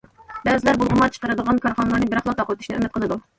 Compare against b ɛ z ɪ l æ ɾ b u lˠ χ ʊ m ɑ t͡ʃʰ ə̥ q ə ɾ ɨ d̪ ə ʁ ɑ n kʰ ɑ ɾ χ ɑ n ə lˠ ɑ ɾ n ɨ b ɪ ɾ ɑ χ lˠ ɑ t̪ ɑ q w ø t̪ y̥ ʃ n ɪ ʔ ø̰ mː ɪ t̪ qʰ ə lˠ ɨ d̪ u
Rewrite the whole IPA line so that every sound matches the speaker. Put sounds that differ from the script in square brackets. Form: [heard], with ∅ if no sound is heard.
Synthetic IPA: b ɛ z ɪ l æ ɾ b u lˠ [ʁ] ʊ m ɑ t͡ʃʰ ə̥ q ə ɾ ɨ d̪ ə ʁ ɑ n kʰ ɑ ɾ χ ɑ n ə lˠ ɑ ɾ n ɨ b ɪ ɾ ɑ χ lˠ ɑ t̪ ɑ q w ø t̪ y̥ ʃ n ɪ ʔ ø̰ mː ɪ t̪ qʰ ə lˠ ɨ d̪ u